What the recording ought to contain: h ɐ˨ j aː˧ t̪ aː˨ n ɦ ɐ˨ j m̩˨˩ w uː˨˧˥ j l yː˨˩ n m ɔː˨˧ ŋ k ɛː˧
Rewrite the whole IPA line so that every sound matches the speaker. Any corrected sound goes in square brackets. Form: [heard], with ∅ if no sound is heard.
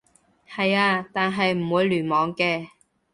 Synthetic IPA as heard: h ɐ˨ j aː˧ t̪ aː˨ n ɦ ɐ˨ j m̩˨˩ w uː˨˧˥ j l yː˨˩ n m ɔː˨˧ ŋ k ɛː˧